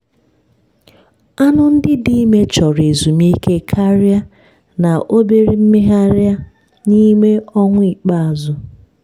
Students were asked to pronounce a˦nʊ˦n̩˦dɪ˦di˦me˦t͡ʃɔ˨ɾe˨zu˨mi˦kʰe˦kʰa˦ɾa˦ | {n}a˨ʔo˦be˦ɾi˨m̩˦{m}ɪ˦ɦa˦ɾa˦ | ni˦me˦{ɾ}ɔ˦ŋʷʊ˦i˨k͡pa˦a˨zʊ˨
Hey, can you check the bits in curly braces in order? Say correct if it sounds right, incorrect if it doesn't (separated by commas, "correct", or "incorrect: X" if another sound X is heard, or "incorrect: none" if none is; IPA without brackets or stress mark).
correct, correct, incorrect: none